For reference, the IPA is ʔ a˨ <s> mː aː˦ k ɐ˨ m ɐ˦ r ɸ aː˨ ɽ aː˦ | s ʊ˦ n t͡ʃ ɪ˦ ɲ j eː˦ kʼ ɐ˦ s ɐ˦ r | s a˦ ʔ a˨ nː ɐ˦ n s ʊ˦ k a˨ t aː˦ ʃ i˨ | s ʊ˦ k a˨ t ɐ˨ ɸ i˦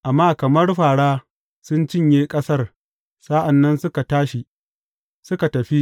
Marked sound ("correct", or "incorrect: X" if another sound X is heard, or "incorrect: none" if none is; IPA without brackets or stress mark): incorrect: none